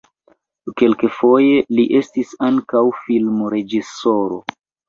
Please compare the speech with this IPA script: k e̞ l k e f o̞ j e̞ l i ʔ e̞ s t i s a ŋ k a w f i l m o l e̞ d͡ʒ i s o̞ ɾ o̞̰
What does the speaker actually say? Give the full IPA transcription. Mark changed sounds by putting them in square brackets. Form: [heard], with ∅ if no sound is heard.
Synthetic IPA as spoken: k e̞ l k e f o̞ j e̞ l i ʔ e̞ s t i s a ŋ k a w f i l m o [ɾ] e̞ d͡ʒ i s o̞ ɾ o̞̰